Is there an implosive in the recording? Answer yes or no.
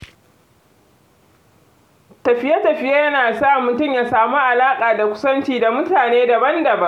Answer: no